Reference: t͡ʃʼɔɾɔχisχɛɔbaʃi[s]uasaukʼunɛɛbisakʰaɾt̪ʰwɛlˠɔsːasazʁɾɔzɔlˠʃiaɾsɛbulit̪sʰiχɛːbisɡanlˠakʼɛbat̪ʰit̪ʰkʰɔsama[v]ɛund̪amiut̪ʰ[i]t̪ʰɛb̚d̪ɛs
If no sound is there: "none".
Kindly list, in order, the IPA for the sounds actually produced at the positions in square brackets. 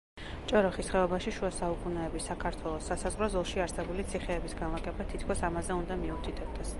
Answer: ʃ, z, i

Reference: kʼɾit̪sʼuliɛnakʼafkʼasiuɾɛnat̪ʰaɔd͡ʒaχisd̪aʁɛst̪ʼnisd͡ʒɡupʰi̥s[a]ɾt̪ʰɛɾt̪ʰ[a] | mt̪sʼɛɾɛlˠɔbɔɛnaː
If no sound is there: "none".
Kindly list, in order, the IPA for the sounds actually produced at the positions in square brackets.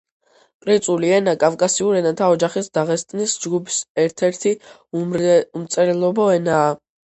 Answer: ɛ, i

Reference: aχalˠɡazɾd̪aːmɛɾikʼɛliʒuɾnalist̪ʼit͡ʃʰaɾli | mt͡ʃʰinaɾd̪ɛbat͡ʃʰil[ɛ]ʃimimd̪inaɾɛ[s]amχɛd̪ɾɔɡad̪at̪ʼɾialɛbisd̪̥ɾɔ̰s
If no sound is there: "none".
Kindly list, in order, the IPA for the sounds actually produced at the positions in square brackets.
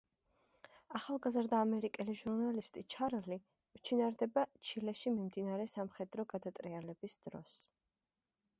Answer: ɛ, s

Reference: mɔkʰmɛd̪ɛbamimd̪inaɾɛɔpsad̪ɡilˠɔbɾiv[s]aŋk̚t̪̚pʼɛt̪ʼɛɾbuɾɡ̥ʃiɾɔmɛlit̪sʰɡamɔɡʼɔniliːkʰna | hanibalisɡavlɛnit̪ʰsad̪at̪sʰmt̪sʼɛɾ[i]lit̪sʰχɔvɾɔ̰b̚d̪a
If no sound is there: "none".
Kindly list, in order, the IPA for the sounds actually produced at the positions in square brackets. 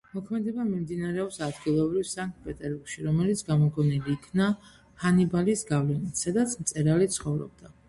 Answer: s, a

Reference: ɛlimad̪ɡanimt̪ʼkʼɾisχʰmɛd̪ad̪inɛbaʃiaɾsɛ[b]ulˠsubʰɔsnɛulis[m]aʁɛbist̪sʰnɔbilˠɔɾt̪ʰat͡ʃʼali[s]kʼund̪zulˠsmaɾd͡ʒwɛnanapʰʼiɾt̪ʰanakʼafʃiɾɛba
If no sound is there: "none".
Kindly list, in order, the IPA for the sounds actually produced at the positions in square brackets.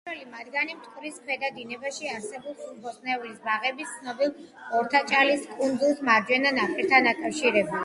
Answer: b, b, s

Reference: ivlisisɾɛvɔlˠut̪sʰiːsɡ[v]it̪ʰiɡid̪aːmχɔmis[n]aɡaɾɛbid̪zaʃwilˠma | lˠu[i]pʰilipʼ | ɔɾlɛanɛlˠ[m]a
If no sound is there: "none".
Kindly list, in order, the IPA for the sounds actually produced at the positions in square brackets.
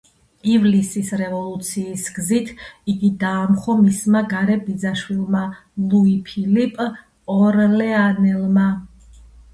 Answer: z, m, i, m

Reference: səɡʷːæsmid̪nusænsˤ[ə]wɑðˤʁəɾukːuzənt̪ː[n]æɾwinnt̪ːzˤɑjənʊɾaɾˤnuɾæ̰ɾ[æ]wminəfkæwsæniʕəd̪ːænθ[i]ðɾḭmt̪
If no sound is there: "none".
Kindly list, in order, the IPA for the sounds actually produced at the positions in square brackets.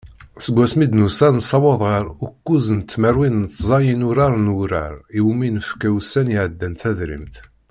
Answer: ɑ, m, i, æ

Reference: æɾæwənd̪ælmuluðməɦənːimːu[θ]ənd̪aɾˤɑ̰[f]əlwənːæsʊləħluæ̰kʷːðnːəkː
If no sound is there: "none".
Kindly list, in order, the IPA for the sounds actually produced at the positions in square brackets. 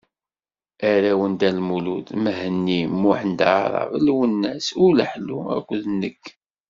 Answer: ħ, v

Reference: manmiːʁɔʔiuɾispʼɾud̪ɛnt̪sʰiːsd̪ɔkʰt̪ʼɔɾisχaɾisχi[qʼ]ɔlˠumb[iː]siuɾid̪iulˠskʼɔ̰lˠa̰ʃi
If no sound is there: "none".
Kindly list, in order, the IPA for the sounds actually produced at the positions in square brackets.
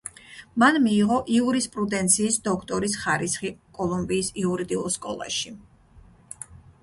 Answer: kʼ, iː

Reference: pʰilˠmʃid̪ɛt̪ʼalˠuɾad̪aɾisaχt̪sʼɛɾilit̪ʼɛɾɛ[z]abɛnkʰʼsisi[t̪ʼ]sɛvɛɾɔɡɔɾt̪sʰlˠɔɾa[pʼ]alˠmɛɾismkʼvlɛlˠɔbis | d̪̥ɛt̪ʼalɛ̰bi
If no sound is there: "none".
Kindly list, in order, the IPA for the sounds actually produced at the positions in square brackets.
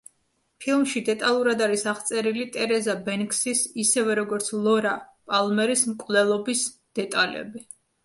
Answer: z, none, pʼ

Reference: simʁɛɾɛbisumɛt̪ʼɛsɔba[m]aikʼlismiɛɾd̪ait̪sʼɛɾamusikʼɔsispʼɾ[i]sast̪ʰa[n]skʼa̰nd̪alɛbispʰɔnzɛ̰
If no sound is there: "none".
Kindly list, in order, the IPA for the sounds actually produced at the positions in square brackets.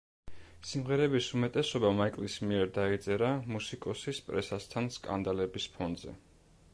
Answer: m, ɛ, n

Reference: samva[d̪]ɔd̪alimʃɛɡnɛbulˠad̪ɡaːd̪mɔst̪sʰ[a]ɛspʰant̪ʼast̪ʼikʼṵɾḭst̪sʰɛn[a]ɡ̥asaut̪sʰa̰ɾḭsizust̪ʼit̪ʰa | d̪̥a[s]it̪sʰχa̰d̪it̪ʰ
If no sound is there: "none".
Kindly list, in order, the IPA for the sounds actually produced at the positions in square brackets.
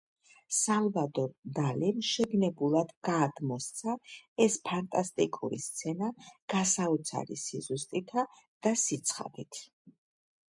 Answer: d̪, a, a, s

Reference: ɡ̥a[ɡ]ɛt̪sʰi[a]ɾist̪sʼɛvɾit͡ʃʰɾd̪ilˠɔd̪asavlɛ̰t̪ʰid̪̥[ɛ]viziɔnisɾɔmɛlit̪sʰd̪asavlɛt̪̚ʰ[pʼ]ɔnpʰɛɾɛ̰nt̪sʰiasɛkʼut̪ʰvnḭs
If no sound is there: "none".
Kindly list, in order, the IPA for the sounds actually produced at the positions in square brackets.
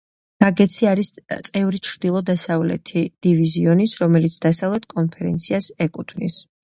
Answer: ɡ, a, i, kʼ

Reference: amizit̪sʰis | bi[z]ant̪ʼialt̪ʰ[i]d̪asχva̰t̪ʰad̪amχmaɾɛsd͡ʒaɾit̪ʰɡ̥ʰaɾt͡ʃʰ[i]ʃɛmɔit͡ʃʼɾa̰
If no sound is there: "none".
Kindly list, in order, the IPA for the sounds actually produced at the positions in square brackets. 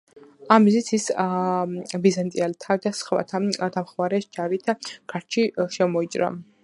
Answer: z, a, i

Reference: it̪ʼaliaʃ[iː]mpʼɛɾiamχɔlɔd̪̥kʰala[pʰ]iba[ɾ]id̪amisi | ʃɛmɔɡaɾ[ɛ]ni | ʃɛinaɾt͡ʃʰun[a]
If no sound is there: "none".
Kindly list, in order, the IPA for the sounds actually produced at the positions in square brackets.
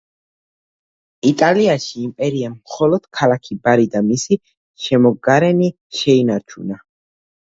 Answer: iː, kʰ, ɾ, ɛ, a

